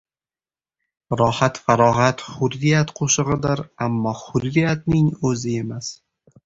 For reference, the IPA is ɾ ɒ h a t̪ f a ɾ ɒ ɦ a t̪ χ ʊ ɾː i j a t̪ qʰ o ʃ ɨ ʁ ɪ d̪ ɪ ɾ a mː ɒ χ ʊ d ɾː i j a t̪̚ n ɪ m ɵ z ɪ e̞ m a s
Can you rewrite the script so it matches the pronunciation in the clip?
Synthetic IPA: ɾ ɒ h a t̪ f a ɾ ɒ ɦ a t̪ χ ʊ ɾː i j a t̪ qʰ o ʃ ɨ ʁ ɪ d̪ ɪ ɾ a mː ɒ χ ʊ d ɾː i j a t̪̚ n ɪ ŋ ɵ z ɪ e̞ m a s